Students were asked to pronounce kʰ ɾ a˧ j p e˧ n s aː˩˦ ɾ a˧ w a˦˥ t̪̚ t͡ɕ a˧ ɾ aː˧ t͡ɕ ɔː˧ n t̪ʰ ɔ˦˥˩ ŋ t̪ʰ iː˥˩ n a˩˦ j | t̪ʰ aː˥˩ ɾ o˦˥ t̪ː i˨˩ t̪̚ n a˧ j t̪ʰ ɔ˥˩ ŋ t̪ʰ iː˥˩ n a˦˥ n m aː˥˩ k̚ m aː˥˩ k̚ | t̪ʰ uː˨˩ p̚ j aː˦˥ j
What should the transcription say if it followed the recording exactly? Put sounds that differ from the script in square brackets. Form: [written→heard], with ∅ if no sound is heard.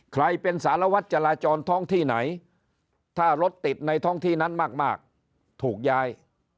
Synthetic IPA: kʰ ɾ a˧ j p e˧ n s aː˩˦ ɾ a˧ w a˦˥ t̪̚ t͡ɕ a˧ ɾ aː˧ t͡ɕ ɔː˧ n t̪ʰ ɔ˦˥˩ ŋ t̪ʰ iː˥˩ n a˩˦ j | t̪ʰ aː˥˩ ɾ o˦˥ t̪ː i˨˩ t̪̚ n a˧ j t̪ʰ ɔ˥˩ ŋ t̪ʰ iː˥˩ n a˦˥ n m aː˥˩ k̚ m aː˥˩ k̚ | t̪ʰ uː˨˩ [p̚→k̚] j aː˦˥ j